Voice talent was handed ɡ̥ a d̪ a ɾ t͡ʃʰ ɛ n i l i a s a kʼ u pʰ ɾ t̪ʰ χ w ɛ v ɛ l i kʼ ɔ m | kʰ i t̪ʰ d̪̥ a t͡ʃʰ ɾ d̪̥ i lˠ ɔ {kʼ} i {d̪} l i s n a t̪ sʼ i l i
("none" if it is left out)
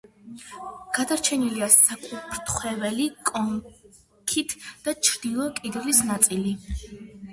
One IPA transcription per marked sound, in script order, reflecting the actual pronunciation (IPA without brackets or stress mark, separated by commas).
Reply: kʼ, d̪